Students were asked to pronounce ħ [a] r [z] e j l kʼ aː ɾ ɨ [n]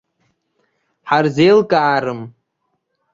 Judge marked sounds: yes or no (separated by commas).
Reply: yes, yes, no